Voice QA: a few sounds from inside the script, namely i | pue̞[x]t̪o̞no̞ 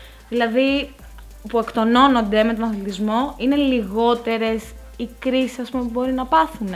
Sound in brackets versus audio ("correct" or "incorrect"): incorrect